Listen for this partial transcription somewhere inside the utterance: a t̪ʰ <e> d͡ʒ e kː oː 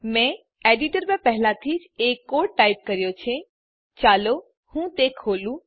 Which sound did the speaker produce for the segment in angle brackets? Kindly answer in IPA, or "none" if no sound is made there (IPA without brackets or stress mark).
i